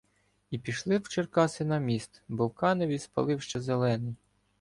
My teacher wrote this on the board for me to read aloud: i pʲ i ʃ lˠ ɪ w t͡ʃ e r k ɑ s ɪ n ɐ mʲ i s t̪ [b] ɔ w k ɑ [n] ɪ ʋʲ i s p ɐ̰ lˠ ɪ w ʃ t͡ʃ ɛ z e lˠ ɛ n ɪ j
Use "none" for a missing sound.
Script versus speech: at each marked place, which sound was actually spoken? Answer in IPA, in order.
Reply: b, n

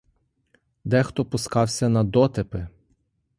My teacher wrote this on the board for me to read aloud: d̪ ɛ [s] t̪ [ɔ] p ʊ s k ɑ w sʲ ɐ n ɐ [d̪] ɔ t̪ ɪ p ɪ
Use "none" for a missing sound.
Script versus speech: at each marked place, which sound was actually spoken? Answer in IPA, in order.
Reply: x, ɔ, d̪

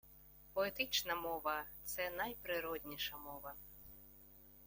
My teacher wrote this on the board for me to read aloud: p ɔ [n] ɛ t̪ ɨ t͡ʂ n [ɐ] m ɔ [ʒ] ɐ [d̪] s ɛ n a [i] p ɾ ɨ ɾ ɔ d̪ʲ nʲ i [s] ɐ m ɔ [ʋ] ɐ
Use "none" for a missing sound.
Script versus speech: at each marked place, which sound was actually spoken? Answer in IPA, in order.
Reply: none, ɐ, v, t̪, j, ʂ, v

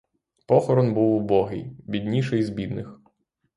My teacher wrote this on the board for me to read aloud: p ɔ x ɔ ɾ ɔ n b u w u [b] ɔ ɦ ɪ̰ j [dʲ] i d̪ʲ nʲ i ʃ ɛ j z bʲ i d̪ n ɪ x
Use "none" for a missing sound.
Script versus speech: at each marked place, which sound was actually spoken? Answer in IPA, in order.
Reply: b, bʲ

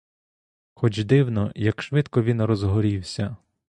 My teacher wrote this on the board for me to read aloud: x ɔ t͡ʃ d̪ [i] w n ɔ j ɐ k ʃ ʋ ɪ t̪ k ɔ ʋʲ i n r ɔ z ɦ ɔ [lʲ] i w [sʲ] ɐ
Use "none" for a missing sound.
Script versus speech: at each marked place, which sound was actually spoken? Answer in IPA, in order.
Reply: ɪ, ɾʲ, sʲ

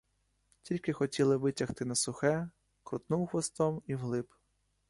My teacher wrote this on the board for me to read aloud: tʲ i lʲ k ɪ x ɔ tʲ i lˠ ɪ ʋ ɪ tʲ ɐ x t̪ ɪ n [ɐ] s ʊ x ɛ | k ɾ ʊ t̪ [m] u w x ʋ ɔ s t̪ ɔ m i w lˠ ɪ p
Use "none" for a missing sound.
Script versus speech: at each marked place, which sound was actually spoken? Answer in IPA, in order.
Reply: ɐ, n

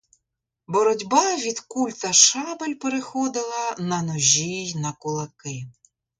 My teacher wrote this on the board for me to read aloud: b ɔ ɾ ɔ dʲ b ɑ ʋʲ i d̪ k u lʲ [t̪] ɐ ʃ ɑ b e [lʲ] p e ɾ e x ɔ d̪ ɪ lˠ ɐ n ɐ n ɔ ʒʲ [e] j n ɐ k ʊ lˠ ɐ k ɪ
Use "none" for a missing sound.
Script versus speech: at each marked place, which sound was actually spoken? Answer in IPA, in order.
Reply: t̪, lʲ, i

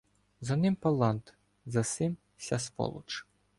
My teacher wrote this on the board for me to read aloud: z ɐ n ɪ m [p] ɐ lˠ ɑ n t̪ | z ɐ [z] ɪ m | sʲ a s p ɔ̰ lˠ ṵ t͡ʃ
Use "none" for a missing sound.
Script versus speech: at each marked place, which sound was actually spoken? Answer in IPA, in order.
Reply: p, s

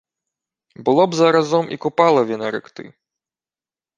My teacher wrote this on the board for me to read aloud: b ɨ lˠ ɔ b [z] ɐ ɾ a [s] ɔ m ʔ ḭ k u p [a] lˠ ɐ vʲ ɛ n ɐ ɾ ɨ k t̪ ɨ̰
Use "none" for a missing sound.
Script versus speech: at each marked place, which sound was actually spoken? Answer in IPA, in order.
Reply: z, z, a

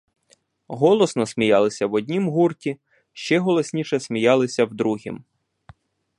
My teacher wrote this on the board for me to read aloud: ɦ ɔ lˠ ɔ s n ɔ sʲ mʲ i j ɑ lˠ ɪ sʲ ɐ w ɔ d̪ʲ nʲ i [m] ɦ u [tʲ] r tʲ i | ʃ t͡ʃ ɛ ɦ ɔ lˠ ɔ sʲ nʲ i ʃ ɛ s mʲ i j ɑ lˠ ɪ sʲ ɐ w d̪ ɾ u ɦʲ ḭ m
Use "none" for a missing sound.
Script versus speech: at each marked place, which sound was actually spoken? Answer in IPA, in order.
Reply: m, none

